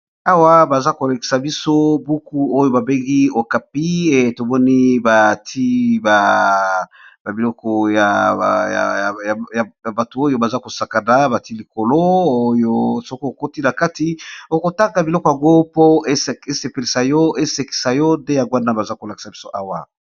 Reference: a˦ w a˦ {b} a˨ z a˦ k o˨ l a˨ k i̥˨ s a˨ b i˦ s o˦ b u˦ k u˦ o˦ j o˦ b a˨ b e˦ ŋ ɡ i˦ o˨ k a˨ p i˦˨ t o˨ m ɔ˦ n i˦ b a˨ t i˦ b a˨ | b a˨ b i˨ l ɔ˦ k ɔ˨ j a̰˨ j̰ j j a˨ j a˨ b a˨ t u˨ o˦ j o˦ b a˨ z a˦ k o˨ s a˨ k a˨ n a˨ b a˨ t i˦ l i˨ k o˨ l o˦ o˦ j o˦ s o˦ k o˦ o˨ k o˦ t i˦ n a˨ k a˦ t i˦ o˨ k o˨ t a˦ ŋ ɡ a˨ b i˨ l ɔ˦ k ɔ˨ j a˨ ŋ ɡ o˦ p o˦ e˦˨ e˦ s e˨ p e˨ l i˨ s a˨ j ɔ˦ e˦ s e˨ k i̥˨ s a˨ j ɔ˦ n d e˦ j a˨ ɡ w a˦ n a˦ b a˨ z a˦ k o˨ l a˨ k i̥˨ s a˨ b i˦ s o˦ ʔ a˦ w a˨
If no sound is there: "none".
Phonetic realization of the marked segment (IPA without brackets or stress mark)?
b